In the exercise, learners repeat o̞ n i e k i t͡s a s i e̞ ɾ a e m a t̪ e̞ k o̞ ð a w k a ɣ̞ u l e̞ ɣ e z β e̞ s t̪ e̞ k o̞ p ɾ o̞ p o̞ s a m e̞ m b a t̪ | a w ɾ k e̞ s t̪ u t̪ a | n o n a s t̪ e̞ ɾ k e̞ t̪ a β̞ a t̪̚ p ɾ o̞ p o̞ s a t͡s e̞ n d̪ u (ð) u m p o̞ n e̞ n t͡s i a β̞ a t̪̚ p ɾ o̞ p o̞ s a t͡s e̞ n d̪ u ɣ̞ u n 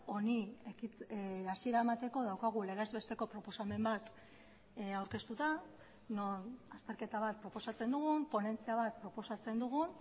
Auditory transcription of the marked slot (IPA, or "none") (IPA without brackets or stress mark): ɣ